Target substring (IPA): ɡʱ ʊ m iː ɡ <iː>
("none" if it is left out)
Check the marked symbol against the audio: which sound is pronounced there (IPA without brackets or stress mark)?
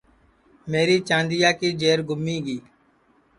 iː